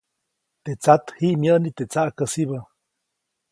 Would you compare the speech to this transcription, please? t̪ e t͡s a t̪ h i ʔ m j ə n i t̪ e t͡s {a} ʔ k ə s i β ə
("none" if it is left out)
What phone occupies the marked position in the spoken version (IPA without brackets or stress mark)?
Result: a